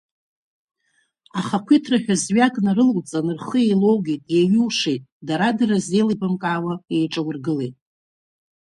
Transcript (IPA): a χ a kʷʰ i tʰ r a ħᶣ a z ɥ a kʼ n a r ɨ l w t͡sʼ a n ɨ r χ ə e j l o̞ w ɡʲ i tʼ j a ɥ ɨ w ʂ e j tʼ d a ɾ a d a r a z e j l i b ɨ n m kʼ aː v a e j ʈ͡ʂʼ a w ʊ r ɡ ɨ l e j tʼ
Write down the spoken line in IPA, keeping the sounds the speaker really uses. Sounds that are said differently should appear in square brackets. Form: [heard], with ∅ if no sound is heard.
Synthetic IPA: a χ a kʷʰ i tʰ r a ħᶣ a z ɥ a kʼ n a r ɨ l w t͡sʼ a n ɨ r χ ə e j l o̞ w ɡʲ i tʼ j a ɥ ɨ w ʂ e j tʼ d a ɾ a d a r a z e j l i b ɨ [∅] m kʼ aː [w] a e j ʈ͡ʂʼ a w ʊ r ɡ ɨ l e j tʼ